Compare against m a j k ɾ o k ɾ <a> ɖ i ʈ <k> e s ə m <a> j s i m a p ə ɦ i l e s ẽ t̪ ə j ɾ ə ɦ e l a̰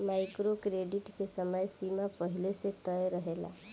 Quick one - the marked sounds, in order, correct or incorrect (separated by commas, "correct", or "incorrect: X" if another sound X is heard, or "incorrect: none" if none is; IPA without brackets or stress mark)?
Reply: incorrect: e, correct, incorrect: ə